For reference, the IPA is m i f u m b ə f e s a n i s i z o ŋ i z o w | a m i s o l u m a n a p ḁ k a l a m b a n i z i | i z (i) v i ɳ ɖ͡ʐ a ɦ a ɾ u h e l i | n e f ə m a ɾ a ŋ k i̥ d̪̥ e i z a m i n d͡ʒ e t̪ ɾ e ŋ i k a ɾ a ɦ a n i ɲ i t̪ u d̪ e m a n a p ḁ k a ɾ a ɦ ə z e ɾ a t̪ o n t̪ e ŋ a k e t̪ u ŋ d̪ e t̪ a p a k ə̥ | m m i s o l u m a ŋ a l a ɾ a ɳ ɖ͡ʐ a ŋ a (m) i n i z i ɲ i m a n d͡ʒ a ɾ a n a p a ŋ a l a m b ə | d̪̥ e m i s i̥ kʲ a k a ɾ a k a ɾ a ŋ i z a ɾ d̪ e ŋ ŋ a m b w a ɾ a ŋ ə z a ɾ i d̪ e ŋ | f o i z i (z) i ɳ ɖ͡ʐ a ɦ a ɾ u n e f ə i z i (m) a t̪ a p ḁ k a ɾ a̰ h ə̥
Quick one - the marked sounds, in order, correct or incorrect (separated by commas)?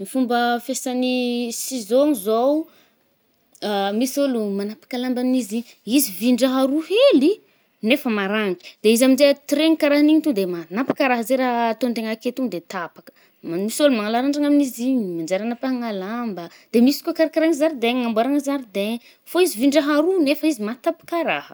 correct, correct, incorrect, correct